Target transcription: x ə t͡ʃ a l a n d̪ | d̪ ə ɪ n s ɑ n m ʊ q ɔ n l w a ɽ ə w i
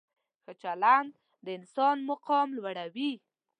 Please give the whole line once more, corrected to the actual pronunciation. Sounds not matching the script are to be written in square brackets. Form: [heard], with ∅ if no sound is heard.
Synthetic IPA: x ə t͡ʃ a l a n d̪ | d̪ ə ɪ n s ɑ n m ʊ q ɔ [m] l w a ɽ [a] w i